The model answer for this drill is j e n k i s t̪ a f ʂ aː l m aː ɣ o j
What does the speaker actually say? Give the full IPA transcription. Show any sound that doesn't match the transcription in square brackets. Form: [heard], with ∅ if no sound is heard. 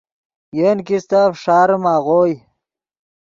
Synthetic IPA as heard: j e n k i s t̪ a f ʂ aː [ɾ] m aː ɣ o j